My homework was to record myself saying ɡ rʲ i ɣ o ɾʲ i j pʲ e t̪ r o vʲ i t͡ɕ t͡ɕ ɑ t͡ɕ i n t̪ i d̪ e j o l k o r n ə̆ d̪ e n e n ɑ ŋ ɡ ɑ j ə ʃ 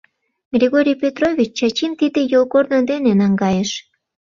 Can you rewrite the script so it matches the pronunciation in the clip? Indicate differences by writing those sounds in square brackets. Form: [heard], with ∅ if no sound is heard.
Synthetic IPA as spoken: ɡ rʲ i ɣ o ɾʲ i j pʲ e t̪ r o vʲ i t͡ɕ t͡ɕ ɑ t͡ɕ i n t̪ i d̪ e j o l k o r n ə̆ d̪ e n e n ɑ ŋ ɡ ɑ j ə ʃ